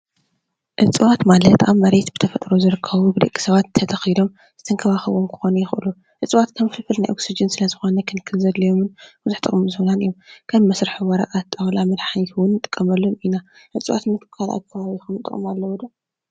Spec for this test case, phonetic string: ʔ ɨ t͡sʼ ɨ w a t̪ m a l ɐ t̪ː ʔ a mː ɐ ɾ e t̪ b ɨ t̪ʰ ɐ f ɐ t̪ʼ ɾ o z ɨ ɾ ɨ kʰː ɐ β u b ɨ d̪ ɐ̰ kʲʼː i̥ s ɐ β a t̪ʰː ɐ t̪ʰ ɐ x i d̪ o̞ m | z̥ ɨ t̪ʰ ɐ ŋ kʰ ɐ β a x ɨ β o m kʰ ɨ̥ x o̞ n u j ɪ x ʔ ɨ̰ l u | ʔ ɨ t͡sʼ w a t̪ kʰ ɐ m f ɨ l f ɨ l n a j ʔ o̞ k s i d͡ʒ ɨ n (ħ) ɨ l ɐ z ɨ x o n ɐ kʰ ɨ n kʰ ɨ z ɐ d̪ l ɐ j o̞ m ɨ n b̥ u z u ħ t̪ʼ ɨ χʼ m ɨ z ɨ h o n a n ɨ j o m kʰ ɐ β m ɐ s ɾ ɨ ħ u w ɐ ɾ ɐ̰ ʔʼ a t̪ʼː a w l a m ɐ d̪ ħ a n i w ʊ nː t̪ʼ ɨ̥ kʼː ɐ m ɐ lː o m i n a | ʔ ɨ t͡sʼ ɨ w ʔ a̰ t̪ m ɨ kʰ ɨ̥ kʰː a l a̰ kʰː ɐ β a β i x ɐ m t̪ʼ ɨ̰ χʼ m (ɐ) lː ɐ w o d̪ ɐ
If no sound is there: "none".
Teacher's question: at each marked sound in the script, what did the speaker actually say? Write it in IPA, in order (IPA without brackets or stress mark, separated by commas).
s, a